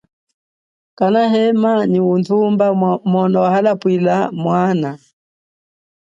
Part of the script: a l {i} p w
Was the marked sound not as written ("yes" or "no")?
yes